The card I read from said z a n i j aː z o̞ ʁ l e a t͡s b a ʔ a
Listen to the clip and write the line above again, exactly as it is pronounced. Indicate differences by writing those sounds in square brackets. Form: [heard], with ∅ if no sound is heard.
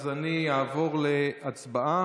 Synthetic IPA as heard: z a n i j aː [v] o̞ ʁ l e a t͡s b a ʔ a